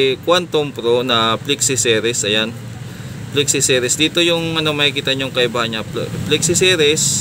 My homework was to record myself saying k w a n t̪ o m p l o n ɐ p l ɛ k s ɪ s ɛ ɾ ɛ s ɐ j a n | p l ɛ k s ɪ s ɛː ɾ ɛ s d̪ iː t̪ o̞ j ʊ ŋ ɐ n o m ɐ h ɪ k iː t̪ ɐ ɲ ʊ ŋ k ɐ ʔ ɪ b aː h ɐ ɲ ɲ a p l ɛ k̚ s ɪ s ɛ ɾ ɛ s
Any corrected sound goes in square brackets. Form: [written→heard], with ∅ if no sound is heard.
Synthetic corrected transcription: k w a n t̪ o m p [l→ɾ] o n ɐ p l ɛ k s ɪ s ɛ ɾ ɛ s ɐ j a n | p l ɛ k s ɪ s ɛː ɾ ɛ s d̪ iː t̪ o̞ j ʊ ŋ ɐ n o m ɐ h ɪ k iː t̪ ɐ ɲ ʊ ŋ k ɐ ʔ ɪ b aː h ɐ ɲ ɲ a p l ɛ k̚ s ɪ s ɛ ɾ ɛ s